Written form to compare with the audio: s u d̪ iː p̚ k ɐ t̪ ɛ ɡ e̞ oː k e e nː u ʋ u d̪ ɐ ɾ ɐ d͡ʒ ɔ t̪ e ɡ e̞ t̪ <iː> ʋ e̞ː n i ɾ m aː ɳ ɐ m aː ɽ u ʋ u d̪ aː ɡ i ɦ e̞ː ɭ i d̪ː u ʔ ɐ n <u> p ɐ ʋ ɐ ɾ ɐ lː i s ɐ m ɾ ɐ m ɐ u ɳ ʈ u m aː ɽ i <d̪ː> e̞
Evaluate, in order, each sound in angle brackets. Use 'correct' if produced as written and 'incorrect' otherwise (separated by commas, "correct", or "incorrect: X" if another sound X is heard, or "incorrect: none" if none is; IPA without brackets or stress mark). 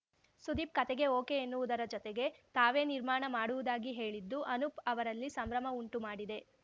incorrect: aː, correct, incorrect: d̪